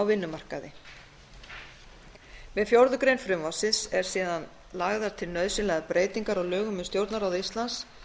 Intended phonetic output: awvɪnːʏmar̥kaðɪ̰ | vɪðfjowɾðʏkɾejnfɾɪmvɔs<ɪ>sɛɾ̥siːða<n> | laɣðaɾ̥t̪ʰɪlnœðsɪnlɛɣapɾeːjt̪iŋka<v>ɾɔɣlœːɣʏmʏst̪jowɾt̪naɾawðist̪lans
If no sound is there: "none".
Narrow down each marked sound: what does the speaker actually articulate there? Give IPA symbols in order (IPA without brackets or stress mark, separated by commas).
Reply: ɪ, n, none